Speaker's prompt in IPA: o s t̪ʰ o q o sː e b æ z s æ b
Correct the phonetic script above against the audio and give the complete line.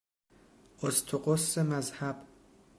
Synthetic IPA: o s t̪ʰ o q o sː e m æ z h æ b